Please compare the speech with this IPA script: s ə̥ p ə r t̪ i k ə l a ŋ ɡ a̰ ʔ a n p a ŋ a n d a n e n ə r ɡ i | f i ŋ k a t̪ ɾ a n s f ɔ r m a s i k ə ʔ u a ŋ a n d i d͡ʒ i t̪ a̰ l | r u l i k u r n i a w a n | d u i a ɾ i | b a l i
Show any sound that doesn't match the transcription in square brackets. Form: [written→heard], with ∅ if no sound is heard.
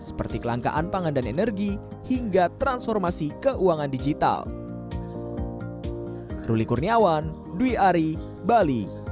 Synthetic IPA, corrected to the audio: s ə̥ p ə r t̪ i k ə l a ŋ [ɡ→k] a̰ ʔ a n p a ŋ a n d a n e n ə r ɡ i | [f→h] i ŋ [k→ɡ] a t̪ ɾ a n s f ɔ r m a s i k ə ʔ u a ŋ a n d i d͡ʒ i t̪ a̰ l | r u l i k u r n i a w a n | d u i a ɾ i | b a l i